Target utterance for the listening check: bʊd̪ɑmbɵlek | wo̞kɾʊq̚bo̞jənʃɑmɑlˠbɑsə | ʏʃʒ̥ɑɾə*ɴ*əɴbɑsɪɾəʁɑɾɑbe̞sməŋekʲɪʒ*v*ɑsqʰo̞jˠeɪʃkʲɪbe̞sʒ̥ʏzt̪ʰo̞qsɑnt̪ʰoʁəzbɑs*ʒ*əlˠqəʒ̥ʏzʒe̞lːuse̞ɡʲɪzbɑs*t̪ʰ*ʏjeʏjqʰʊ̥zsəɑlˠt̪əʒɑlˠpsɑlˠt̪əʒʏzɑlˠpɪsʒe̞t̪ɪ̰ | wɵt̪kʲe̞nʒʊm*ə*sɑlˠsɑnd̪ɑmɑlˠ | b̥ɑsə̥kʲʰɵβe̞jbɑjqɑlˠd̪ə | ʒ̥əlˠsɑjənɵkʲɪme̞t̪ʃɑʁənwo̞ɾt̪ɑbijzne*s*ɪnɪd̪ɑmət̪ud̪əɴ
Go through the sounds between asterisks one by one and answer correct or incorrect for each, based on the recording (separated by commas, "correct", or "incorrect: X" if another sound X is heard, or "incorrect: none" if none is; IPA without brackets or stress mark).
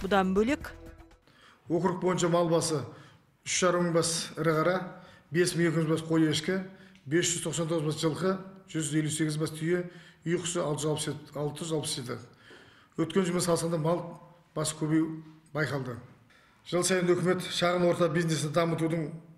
incorrect: m, incorrect: b, correct, correct, correct, correct